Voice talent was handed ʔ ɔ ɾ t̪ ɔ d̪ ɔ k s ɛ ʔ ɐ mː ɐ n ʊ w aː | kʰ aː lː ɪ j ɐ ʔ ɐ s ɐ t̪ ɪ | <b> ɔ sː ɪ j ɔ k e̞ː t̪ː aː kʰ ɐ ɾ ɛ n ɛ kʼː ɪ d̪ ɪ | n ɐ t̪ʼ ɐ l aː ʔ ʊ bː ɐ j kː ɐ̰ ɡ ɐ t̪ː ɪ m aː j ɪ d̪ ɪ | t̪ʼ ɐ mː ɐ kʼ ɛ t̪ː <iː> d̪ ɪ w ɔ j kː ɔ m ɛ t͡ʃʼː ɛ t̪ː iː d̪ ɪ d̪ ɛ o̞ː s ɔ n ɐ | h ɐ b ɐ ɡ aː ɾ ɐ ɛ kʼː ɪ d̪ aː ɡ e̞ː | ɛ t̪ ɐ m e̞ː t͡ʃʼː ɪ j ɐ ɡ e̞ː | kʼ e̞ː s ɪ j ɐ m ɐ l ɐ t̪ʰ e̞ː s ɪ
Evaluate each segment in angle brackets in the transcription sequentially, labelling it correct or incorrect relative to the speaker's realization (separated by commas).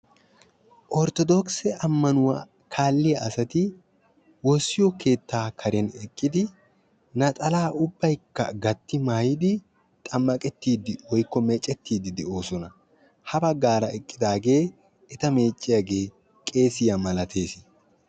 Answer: incorrect, correct